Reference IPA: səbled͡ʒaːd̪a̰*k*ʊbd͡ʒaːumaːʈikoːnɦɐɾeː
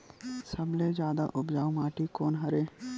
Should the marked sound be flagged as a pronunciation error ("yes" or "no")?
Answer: yes